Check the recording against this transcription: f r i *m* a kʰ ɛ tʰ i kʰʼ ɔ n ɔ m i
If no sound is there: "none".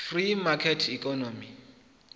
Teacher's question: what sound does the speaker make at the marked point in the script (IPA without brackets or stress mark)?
m